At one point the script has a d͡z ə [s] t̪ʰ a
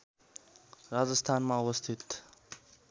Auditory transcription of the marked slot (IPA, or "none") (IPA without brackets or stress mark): s